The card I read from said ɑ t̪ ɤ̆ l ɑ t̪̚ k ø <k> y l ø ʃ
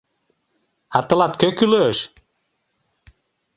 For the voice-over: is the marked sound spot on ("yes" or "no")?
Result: yes